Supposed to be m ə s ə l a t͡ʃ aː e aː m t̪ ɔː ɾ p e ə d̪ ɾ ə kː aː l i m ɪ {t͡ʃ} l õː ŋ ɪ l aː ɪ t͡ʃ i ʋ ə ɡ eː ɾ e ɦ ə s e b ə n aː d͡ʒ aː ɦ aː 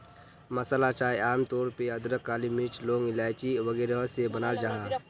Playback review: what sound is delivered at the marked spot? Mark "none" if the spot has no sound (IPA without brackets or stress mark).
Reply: t͡ʃ